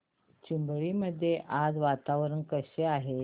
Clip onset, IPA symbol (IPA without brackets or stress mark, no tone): t͡ɕ